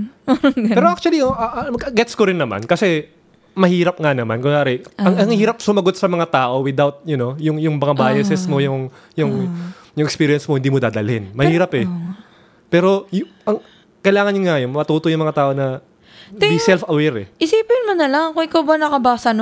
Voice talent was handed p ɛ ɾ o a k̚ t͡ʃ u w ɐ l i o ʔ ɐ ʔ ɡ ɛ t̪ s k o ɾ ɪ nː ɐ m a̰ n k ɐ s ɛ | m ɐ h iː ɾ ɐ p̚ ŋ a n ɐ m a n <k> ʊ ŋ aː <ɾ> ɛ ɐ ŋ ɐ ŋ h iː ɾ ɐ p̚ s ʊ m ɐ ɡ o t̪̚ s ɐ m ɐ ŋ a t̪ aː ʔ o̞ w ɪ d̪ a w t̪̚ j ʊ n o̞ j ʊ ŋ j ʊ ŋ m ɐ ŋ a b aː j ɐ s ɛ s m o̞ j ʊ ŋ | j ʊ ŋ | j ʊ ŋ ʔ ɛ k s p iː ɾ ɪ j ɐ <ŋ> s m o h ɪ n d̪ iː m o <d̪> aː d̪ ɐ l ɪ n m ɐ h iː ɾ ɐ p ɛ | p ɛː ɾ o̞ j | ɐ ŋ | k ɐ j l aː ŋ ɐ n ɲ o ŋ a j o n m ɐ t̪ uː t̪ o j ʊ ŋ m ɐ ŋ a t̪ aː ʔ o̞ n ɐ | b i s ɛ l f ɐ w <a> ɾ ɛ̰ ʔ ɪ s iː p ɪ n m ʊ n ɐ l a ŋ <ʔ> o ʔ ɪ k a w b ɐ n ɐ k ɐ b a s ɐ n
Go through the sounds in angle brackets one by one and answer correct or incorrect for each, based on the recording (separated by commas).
correct, correct, incorrect, correct, incorrect, incorrect